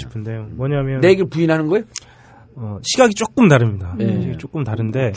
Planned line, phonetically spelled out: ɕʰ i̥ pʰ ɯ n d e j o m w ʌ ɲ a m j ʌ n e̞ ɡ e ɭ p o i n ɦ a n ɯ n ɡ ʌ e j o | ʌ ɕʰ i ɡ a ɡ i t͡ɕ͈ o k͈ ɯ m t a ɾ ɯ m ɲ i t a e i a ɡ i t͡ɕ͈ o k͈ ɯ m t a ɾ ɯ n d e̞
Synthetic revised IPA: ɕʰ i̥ pʰ ɯ n d e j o m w ʌ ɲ a m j ʌ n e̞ ɡ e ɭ p u i n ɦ a n ɯ n ɡ ʌ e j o | ʌ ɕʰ i ɡ a ɡ i t͡ɕ͈ o k͈ ɯ m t a ɾ ɯ m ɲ i d a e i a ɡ i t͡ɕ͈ o k͈ ɯ m t a ɾ ɯ n d e̞